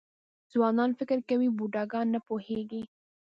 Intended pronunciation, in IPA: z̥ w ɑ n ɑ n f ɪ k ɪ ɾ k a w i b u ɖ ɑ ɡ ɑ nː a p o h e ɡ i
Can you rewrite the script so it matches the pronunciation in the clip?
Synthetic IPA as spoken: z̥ w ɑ n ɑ n f ɪ k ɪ ɾ k a w i b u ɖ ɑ ɡ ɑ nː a p o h e ɡ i